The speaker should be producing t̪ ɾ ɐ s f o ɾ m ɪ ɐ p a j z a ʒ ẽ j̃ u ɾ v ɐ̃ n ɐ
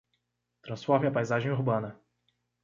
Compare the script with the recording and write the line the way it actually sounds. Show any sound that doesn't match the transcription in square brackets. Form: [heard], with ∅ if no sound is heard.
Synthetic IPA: t̪ ɾ [ɐ̃] s f [ɔ] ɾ m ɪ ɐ p a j z a ʒ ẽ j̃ u ɾ [b] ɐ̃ n ɐ